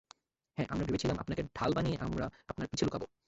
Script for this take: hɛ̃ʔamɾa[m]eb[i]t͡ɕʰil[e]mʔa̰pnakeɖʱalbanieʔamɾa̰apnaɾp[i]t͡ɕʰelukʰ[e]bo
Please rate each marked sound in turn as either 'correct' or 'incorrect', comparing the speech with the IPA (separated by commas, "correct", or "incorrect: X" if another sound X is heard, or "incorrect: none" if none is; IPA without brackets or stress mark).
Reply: incorrect: b, incorrect: e, incorrect: a, correct, incorrect: a